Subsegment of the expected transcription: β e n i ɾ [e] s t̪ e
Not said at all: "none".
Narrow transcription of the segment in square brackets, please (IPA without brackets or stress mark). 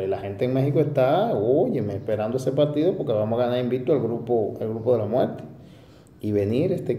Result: e